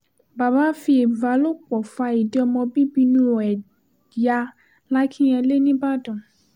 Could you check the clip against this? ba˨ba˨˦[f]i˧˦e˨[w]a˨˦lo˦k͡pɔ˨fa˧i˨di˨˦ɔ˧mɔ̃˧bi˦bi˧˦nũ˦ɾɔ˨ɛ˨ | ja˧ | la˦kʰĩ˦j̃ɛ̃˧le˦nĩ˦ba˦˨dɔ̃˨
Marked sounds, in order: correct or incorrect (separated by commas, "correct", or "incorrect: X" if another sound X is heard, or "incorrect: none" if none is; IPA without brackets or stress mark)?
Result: correct, incorrect: v